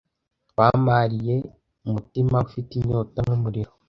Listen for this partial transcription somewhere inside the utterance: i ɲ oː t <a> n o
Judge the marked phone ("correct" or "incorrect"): correct